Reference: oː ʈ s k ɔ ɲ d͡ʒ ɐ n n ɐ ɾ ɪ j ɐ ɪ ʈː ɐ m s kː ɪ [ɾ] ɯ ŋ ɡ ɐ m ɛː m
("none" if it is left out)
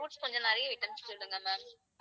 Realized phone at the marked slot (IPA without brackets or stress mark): ɽ